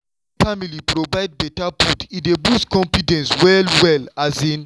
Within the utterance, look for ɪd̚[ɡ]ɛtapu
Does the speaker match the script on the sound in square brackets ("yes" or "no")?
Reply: no